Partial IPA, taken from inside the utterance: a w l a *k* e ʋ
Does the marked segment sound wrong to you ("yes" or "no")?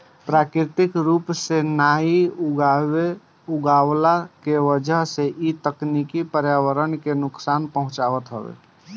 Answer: no